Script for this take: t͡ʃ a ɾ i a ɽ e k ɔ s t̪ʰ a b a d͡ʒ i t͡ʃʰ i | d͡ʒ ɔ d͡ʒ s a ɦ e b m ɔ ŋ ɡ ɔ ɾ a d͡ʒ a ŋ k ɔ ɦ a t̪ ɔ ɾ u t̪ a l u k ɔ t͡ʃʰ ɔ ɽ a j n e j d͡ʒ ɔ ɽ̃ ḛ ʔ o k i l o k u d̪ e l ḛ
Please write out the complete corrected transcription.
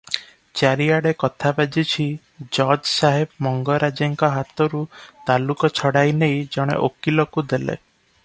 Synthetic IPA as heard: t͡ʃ a ɾ i a ɽ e k ɔ t̪ʰ a b a d͡ʒ i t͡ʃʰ i | d͡ʒ ɔ d͡ʒ s a ɦ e b m ɔ ŋ ɡ ɔ ɾ a d͡ʒ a ŋ k ɔ ɦ a t̪ ɔ ɾ u t̪ a l u k ɔ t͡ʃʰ ɔ ɽ a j n e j d͡ʒ ɔ ɽ̃ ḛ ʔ o k i l ɔ k u d̪ e l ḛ